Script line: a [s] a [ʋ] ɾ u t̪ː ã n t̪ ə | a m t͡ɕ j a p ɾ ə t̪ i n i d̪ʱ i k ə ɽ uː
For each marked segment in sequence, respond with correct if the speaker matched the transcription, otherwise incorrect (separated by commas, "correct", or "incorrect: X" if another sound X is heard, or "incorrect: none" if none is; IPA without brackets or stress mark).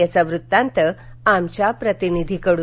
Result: incorrect: t͡s, correct